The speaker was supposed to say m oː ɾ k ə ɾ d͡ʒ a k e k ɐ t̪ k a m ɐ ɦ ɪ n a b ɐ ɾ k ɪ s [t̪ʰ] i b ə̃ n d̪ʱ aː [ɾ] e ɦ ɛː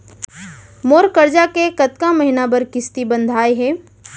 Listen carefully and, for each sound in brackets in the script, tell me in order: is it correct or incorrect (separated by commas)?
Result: incorrect, incorrect